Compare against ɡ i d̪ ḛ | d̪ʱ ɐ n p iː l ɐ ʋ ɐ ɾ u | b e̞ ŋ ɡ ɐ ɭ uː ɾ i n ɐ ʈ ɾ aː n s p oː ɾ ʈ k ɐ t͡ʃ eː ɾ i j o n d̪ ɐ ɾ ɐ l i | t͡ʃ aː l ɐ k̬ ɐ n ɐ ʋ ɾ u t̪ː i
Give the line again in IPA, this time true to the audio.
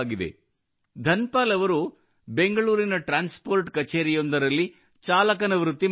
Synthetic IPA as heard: ɡ i d̪ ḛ | d̪ʱ ɐ n p aː l ɐ ʋ ɐ ɾ u | b e̞ ŋ ɡ ɐ ɭ uː ɾ i n ɐ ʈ ɾ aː n s p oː ɾ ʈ k ɐ t͡ʃ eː ɾ i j o n d̪ ɐ ɾ ɐ lː i | t͡ʃ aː l ɐ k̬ ɐ n ɐ ʋ ɾ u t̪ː i